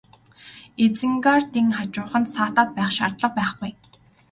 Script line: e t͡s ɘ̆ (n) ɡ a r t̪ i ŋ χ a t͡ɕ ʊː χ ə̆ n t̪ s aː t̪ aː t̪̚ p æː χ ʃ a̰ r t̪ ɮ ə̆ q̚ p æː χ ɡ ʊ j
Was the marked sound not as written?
yes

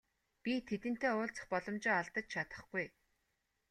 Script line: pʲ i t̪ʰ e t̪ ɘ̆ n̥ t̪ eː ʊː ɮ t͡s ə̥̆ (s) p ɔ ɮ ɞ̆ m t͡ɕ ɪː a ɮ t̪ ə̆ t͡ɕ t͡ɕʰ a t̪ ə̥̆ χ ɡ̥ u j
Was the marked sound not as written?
yes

